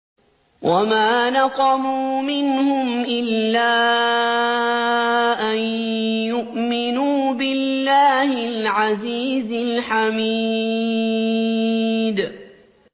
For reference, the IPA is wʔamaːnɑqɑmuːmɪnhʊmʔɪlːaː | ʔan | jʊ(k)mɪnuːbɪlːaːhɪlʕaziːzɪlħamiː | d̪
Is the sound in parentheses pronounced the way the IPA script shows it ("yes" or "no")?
no